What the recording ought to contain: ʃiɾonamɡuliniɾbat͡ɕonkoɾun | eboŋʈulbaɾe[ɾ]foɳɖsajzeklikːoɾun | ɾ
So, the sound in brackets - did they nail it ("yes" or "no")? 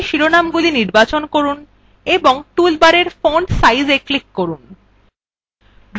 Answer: yes